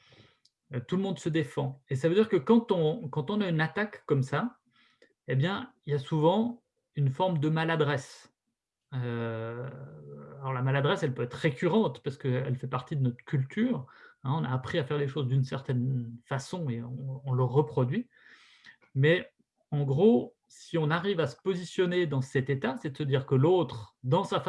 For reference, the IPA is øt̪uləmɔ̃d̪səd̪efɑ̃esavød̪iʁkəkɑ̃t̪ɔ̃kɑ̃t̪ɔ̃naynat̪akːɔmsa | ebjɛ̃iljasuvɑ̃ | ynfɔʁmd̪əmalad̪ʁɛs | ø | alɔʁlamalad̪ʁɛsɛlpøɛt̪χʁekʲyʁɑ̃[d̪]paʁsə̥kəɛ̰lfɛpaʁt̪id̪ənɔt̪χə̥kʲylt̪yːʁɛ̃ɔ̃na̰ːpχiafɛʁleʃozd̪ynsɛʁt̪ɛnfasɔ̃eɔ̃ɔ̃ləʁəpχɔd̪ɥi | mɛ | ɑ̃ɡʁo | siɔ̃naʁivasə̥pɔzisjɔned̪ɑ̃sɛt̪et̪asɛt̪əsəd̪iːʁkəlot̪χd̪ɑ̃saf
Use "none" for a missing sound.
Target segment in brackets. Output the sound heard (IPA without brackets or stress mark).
t̪